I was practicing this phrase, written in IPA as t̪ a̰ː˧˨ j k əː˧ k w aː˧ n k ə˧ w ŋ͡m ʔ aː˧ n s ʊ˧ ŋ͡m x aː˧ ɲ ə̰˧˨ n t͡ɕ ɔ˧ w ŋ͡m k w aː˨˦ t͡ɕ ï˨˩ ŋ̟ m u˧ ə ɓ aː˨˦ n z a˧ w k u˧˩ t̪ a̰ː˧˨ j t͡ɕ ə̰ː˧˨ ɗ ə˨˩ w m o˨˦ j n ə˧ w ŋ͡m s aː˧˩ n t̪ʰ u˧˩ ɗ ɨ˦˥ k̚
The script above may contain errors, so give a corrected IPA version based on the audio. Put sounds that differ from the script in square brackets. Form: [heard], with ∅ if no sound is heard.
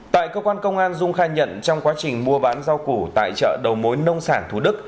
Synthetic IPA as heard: t̪ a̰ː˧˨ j k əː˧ k w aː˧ n k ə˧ w ŋ͡m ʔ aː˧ n [z] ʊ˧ ŋ͡m x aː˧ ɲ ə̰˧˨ n t͡ɕ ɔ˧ w ŋ͡m k w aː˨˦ t͡ɕ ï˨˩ ŋ̟ m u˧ ə ɓ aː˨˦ n z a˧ w k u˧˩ t̪ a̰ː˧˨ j t͡ɕ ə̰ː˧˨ ɗ ə˨˩ w m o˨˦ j n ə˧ w ŋ͡m s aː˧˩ n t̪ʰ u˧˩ ɗ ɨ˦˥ k̚